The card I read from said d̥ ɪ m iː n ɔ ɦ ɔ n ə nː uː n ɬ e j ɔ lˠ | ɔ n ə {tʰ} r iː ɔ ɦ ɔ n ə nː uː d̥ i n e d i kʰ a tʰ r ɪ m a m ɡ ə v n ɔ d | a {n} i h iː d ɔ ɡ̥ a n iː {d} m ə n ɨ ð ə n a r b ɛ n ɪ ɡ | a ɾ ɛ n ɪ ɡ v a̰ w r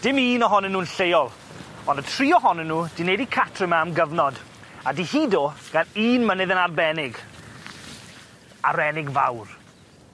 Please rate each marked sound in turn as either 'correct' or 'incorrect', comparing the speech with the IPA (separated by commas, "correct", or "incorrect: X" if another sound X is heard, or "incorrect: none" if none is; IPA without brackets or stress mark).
correct, incorrect: d, incorrect: n